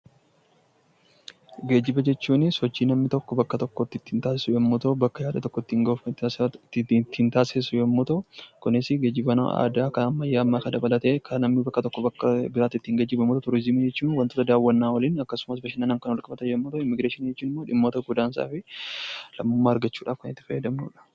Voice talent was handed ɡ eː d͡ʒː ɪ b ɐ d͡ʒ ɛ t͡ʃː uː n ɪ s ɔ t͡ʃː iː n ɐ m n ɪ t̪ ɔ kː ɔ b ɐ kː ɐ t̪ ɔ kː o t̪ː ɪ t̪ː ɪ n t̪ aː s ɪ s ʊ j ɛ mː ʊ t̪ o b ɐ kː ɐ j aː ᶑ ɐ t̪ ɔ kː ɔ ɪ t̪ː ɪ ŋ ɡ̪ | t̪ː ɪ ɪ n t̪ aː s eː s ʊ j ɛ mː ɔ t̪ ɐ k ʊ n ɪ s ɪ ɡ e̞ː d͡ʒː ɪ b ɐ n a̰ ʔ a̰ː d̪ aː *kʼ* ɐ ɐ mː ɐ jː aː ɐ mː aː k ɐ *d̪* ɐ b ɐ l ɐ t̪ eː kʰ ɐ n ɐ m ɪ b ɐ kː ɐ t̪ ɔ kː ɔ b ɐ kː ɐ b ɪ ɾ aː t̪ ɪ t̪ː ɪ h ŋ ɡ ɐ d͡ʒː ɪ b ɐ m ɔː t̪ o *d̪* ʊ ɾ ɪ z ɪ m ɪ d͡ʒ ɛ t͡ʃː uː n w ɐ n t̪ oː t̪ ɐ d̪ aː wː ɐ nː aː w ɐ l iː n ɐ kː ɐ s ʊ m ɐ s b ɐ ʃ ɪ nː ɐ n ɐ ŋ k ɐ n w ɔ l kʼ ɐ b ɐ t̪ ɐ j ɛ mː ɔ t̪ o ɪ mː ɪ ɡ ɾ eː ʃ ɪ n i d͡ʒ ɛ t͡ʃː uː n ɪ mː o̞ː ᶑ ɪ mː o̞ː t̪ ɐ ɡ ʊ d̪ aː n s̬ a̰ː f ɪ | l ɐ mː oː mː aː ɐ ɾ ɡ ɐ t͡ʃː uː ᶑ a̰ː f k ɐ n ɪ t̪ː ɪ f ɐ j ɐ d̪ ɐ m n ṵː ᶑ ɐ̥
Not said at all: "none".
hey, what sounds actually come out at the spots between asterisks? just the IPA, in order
k, d̪, t̪

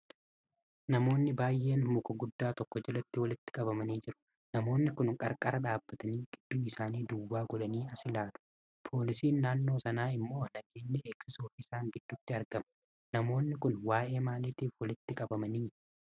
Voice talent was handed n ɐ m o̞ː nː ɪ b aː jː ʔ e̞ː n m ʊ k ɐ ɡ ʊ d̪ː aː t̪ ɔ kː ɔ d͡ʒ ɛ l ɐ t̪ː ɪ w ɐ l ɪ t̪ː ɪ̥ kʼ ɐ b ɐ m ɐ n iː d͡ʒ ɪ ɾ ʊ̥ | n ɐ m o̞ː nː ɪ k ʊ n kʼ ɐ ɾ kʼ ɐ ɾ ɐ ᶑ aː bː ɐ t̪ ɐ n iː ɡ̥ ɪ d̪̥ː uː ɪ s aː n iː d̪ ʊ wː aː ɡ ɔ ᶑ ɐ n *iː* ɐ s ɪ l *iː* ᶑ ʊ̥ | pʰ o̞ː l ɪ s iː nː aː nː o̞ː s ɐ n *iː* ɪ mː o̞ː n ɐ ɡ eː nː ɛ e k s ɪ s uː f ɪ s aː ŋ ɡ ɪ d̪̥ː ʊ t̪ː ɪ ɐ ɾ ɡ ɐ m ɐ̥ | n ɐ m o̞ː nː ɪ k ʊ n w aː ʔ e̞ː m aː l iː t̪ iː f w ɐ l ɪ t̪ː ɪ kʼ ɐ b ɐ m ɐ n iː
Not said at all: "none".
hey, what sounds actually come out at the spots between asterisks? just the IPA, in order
iː, aː, aː

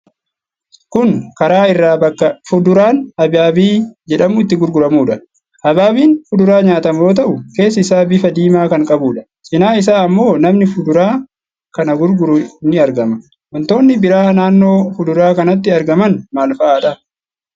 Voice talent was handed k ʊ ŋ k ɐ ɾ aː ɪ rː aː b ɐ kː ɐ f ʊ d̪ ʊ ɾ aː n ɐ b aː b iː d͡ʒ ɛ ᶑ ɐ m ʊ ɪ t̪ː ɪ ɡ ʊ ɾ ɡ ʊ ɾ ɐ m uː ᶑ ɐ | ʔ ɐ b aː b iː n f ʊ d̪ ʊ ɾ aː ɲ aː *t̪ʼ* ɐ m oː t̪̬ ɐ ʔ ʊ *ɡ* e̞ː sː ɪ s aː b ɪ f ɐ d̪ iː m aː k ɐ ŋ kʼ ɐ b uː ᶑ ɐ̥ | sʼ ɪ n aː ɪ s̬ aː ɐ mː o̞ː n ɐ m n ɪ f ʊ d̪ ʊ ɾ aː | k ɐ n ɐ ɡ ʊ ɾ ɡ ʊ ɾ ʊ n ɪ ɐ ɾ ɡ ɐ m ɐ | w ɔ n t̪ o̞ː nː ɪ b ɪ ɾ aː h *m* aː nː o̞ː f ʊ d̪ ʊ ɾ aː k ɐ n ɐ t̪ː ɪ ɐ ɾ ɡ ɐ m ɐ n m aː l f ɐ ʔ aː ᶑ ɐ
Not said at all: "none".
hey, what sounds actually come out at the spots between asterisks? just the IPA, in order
t̪, k, n

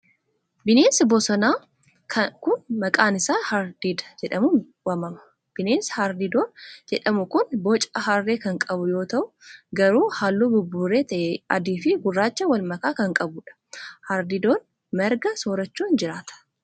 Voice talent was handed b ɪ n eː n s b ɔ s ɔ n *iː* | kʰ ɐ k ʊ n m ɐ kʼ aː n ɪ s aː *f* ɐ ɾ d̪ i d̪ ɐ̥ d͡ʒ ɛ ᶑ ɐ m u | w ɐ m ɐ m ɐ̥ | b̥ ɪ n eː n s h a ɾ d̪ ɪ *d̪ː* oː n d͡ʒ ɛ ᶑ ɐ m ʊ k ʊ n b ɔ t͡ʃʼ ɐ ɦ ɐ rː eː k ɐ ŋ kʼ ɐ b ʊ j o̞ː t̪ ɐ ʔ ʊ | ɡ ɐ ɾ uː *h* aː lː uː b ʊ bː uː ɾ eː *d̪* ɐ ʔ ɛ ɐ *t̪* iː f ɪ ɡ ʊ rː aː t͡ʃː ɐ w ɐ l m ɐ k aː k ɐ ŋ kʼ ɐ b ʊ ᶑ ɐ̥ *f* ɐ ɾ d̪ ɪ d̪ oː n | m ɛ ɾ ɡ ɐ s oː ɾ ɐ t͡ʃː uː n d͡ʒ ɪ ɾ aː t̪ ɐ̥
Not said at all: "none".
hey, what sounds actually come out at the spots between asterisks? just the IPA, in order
aː, h, d̪, h, t̪, d̪, h

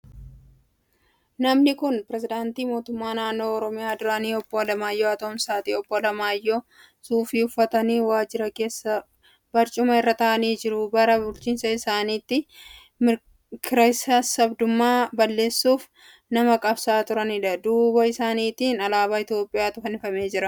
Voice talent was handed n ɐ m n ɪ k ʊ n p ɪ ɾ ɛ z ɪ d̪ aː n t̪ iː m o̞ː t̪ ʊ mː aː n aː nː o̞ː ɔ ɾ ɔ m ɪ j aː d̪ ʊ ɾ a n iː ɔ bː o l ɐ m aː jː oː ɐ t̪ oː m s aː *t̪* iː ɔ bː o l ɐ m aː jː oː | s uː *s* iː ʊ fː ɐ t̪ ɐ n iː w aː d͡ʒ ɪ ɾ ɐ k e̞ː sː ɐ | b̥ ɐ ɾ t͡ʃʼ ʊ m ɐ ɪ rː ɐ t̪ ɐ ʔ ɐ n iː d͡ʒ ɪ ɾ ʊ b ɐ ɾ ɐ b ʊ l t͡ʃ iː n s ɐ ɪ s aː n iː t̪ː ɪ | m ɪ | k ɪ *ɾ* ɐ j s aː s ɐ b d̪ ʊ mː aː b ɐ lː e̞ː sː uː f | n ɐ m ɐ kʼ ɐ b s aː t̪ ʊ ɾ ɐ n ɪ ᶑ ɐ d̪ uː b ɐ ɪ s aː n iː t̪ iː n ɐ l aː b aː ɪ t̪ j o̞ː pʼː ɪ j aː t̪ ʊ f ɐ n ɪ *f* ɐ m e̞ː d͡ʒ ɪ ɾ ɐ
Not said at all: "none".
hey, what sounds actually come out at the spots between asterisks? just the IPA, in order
t̪, f, ɾ, f

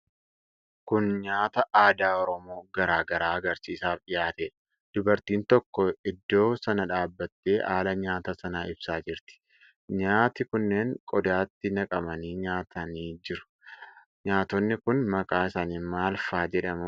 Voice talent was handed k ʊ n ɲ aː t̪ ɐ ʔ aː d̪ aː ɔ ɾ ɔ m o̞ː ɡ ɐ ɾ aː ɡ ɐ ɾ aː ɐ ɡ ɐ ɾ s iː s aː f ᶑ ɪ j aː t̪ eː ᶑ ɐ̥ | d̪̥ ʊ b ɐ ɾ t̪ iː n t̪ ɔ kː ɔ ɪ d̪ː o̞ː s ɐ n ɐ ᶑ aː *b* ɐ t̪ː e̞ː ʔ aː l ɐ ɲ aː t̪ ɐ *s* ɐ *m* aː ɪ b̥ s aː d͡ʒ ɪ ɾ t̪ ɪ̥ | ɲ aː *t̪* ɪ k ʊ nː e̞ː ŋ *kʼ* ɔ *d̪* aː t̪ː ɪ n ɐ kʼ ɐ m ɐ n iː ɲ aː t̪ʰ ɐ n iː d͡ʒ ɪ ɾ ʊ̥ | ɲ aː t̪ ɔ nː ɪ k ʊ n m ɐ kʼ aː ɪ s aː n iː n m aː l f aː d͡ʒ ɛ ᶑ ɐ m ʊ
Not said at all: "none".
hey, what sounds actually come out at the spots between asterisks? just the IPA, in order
bː, s, n, t̪, kʼ, d̪

